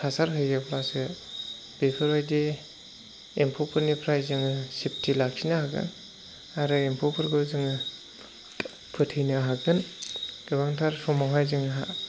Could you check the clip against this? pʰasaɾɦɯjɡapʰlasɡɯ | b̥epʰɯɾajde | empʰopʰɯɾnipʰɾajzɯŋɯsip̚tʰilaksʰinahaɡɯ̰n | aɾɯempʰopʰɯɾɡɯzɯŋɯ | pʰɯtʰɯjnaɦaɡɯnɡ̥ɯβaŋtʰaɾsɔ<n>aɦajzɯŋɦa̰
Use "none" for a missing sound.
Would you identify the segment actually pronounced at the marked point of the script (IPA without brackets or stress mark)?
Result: m